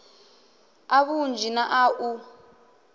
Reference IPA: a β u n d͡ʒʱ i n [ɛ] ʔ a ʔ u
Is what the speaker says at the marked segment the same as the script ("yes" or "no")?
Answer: no